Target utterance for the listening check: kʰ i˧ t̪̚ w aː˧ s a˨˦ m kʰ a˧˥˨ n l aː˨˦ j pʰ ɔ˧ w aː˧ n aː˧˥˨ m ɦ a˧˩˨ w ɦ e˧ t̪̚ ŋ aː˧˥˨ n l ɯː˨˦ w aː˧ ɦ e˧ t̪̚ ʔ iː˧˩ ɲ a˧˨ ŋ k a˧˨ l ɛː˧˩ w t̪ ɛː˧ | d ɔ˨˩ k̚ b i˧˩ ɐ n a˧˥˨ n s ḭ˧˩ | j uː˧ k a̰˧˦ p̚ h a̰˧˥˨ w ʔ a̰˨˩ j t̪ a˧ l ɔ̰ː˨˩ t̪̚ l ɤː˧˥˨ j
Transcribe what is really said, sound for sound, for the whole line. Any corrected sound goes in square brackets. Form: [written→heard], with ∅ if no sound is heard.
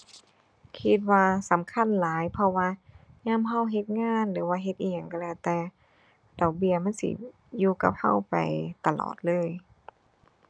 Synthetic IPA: kʰ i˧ t̪̚ w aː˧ s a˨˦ m kʰ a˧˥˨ n l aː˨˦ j pʰ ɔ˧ w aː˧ [n→ɲ] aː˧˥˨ m ɦ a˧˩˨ w ɦ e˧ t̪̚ ŋ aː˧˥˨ n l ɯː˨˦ w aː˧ ɦ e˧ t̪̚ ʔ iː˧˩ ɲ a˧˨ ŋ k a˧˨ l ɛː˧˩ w t̪ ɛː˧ | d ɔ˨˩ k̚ b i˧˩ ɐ [n→m] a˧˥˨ n s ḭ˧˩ | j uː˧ k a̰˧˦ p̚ h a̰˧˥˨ w [ʔ→p] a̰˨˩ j t̪ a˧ l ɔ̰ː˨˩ t̪̚ l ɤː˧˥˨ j